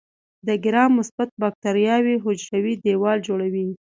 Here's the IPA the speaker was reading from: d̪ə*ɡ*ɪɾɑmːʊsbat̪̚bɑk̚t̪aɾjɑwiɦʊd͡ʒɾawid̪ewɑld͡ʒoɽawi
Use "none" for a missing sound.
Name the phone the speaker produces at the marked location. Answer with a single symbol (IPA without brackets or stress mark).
ɡ